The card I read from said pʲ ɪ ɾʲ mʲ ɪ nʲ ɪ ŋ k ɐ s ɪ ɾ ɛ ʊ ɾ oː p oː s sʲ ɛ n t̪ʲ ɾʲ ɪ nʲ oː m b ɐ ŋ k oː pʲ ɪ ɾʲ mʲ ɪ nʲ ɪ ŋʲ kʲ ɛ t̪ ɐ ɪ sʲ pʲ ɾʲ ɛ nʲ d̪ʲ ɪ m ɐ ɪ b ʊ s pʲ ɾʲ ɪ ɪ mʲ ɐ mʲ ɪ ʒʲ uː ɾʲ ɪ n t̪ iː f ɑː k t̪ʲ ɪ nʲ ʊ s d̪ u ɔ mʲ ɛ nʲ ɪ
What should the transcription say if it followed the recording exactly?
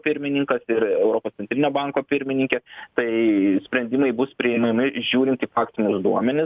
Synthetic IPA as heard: pʲ ɪ ɾʲ mʲ ɪ nʲ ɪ ŋ k ɐ s ɪ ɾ ɛ ʊ ɾ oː p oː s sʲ ɛ n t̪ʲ ɾʲ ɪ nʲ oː b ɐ ŋ k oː pʲ ɪ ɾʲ mʲ ɪ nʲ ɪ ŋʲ kʲ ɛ t̪ ɐ ɪ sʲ pʲ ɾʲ ɛ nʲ d̪ʲ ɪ m ɐ ɪ b ʊ s pʲ ɾʲ ɪ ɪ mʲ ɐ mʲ ɪ ʒʲ uː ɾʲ ɪ n t̪ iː f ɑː k t̪ʲ ɪ nʲ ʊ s d̪ u ɔ mʲ ɛ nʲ ɪ